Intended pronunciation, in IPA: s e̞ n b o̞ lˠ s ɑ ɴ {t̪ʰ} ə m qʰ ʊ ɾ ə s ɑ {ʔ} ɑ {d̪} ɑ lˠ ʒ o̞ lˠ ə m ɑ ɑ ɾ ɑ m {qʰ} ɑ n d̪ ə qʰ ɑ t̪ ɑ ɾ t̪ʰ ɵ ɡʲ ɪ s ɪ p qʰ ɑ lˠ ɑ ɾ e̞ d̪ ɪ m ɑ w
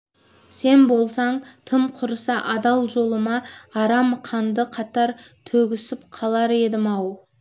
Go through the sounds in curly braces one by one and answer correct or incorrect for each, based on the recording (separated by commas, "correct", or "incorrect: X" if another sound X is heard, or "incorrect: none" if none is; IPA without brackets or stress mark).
correct, correct, correct, correct